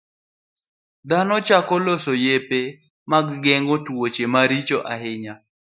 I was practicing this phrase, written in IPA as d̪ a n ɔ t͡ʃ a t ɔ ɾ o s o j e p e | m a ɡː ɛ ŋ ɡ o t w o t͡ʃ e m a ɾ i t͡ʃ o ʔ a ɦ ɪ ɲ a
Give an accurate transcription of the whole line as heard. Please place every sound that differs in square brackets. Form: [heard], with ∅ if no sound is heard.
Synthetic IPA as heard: d̪ a n ɔ t͡ʃ a [k] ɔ [l] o s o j e p e | m a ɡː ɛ ŋ ɡ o t w o t͡ʃ e m a ɾ i t͡ʃ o ʔ a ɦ ɪ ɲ a